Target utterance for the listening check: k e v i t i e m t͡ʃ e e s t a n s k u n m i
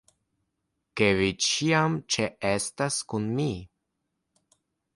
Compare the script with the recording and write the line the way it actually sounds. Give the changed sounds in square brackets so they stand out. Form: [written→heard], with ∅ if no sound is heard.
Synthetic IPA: k e v i [t→t͡ʃ] i [e→a] m t͡ʃ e e s t a [n→∅] s k u n m i